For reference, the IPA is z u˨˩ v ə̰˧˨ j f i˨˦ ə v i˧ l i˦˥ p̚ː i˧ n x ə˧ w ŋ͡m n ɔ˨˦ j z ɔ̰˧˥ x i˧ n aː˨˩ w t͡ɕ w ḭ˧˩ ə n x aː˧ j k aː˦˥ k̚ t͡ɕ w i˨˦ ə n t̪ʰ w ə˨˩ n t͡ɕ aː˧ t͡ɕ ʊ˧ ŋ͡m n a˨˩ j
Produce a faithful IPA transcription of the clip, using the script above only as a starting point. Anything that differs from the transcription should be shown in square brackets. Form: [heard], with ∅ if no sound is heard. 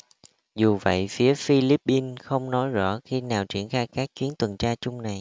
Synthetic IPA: z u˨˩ v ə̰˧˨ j f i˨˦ ə [f] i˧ l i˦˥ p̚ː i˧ n x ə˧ w ŋ͡m n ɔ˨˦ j z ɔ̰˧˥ x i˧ n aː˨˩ w t͡ɕ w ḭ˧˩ ə n x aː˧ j k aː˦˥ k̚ t͡ɕ w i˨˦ ə n [t̪] w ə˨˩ n t͡ɕ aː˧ t͡ɕ ʊ˧ ŋ͡m n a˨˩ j